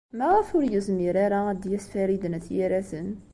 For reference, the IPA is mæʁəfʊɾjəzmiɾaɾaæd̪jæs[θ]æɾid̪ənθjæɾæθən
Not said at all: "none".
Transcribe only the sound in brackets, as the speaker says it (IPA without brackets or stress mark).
f